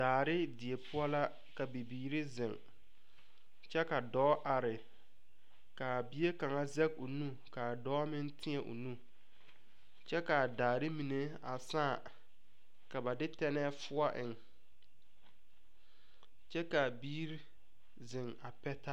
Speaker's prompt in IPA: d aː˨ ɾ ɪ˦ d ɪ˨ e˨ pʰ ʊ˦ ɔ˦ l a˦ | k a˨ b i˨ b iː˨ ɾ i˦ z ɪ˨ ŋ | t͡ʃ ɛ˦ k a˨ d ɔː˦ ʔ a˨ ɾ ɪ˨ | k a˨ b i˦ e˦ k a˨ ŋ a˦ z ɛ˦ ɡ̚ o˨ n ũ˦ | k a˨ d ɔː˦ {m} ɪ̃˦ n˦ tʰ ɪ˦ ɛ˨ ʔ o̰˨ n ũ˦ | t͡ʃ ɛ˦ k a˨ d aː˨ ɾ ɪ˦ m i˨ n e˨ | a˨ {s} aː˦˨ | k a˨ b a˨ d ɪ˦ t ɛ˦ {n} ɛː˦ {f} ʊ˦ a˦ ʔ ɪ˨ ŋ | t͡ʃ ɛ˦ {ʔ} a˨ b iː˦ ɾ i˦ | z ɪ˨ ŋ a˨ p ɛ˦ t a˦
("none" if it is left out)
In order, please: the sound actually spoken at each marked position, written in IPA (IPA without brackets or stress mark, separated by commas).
m, s, n, f, k